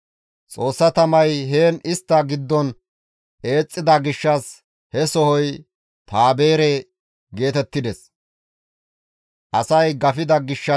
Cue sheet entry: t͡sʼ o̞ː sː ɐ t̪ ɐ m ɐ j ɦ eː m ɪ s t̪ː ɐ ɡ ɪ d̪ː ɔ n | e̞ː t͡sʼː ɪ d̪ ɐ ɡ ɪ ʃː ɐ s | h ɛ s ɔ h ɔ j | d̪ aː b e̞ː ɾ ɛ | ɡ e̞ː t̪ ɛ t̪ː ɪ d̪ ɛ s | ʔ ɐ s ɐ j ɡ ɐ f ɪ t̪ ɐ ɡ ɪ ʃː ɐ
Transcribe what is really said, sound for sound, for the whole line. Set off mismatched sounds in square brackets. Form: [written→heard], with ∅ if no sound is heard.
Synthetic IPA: t͡sʼ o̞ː sː ɐ t̪ ɐ m ɐ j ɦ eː [m→n] ɪ s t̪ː ɐ ɡ ɪ d̪ː ɔ n | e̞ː t͡sʼː ɪ d̪ ɐ ɡ ɪ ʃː ɐ s | h ɛ s ɔ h ɔ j | [d̪→t̪] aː b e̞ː ɾ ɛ | ɡ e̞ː t̪ ɛ t̪ː ɪ d̪ ɛ s | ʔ ɐ s ɐ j ɡ ɐ f ɪ [t̪→d̪] ɐ ɡ ɪ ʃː ɐ